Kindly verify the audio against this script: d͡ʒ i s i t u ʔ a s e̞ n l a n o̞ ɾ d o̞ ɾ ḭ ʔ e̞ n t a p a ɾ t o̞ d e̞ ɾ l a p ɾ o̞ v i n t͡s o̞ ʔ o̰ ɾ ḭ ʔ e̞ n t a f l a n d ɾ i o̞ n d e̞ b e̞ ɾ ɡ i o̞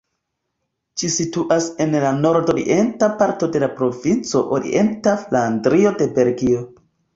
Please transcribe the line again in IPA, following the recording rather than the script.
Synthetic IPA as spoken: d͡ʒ i s i t u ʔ a s e̞ n l a n o̞ ɾ d o̞ ɾ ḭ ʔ e̞ n t a p a ɾ t o̞ d e̞ l a p ɾ o̞ v i n t͡s o̞ ʔ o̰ ɾ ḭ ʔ e̞ n t a f l a n d ɾ i o̞ d e̞ b e̞ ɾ ɡ i o̞